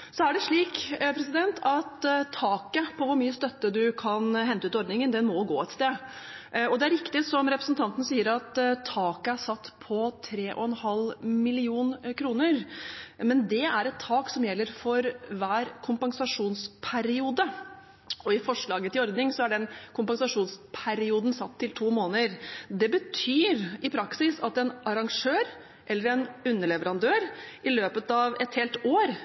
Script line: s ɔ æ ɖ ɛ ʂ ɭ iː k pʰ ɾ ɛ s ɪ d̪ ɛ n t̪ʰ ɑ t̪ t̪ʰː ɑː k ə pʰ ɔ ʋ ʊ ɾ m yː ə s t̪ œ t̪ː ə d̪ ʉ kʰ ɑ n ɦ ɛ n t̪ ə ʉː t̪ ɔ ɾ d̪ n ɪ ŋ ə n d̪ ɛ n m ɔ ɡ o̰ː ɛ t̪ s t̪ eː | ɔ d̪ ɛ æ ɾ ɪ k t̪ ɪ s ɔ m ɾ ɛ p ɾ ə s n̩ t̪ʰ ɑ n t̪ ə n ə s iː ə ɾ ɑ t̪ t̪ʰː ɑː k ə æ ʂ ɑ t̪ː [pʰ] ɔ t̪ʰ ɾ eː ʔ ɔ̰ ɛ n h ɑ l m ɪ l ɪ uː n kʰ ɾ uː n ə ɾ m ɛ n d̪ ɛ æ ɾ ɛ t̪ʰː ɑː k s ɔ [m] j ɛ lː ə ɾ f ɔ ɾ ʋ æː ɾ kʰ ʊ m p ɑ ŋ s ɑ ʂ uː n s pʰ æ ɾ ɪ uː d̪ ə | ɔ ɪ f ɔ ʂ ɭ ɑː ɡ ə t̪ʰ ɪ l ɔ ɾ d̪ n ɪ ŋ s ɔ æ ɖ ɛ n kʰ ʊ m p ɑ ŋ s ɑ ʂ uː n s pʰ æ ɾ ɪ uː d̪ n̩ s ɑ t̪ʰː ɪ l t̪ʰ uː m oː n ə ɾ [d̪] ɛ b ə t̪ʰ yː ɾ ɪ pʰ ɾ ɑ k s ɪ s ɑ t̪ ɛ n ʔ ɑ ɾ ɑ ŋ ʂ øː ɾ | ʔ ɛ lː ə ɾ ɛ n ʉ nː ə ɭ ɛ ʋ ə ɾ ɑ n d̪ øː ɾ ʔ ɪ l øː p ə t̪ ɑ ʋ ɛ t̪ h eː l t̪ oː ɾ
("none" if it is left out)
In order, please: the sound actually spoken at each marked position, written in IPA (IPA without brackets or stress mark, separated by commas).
pʰ, m, d̪